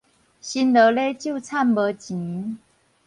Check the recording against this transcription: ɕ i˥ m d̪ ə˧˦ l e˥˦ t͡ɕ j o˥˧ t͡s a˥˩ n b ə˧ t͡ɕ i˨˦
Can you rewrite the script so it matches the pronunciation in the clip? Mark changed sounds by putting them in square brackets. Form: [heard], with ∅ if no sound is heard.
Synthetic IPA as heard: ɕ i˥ [n] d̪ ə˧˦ l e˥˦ t͡ɕ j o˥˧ [t͡sʰ] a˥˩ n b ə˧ t͡ɕ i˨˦